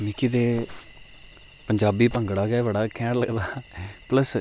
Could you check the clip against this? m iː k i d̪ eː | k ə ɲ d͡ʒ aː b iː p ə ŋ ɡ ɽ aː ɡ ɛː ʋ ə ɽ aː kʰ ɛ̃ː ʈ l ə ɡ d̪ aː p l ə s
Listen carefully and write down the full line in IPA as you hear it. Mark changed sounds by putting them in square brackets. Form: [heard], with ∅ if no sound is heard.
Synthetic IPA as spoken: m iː k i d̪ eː | [p] ə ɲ d͡ʒ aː b iː p ə ŋ ɡ ɽ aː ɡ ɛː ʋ ə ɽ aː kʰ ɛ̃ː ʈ l ə ɡ d̪ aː p l ə s